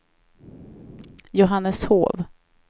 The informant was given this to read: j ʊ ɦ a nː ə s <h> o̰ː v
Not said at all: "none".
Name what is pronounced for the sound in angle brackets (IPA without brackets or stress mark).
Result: h